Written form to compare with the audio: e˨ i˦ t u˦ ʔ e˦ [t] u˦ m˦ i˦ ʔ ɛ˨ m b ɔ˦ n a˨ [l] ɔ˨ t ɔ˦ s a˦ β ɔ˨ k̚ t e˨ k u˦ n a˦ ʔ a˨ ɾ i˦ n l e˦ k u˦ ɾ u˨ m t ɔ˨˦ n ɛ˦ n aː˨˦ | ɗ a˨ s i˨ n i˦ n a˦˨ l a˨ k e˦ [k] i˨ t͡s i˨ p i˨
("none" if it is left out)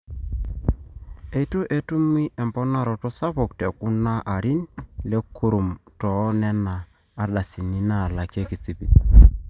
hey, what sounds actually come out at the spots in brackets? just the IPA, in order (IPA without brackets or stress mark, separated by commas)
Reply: t, ɾ, k